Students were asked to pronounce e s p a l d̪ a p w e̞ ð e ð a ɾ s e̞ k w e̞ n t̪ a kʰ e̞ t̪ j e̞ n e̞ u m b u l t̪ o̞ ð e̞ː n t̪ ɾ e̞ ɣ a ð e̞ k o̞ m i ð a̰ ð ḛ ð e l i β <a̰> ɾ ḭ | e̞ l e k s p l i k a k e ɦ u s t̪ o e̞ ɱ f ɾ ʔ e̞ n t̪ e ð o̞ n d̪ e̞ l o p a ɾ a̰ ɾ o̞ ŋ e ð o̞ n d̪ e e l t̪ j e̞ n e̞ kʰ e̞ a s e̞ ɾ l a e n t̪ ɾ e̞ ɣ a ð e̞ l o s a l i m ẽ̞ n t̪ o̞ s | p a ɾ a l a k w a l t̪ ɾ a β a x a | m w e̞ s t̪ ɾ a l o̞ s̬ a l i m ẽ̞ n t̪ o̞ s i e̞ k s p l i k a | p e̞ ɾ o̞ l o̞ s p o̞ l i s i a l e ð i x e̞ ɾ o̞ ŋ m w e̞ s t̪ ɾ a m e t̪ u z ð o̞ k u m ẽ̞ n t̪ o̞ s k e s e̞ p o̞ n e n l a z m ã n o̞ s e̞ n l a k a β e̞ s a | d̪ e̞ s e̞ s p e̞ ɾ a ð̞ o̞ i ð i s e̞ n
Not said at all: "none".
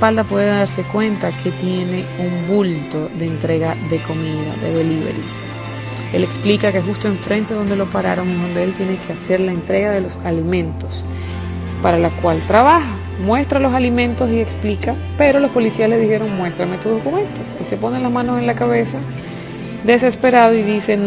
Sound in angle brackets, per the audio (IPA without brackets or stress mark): ḛ